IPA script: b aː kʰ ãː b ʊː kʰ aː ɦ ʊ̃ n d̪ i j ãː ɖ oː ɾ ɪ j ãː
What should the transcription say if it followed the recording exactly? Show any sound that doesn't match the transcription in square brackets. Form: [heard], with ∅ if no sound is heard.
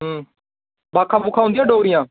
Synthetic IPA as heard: b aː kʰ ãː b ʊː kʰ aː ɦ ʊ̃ n d̪ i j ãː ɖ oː ɾ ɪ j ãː